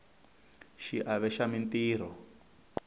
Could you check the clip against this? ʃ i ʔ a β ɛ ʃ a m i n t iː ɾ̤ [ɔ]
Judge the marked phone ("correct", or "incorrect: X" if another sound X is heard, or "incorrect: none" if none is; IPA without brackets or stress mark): correct